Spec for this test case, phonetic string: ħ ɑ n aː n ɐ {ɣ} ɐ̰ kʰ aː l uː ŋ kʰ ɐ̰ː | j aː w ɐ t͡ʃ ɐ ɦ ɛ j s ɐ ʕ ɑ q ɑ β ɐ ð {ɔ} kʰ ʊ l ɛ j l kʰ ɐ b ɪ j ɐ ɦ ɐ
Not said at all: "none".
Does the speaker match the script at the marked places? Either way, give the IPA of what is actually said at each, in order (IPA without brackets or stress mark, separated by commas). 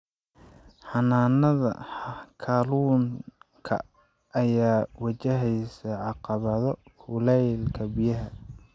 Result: ð, ɔ